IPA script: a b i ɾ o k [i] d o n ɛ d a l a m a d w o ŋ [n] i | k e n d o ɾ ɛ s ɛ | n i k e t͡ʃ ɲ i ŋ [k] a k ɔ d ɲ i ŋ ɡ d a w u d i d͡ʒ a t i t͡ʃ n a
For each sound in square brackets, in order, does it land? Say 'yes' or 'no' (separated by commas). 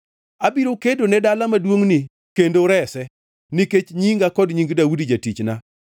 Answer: no, yes, no